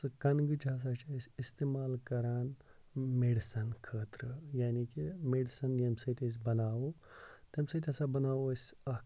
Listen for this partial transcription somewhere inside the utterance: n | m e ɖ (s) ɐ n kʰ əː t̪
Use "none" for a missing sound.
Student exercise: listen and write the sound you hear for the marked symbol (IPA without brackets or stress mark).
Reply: s